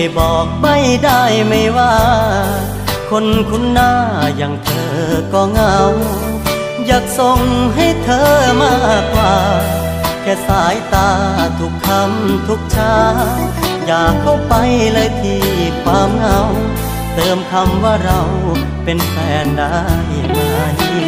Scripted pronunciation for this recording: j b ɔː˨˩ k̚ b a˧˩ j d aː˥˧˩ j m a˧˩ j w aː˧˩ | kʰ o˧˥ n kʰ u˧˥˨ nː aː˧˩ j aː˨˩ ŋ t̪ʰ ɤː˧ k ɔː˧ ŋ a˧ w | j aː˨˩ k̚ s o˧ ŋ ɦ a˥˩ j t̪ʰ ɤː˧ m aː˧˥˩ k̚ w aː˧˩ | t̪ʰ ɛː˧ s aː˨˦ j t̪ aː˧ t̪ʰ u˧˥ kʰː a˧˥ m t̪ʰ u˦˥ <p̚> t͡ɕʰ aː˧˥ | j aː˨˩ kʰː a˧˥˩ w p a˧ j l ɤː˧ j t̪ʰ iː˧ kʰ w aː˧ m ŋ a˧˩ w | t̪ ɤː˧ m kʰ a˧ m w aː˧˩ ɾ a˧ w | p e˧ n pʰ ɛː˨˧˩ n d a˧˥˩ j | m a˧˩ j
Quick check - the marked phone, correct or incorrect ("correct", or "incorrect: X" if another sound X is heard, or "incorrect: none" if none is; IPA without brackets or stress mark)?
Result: incorrect: k̚